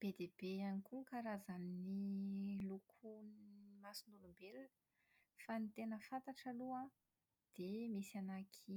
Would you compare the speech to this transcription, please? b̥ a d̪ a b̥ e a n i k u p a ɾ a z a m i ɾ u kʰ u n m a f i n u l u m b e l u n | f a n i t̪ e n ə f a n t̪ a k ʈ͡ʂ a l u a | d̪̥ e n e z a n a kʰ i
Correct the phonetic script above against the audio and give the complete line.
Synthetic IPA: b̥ e d̪ e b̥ e a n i k u k a ɾ a z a n i l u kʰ u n m a s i n u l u m b e l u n | f a n i t̪ e n ə f a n t̪ a ʈ͡ʂ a l u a | d̪̥ e m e s a n a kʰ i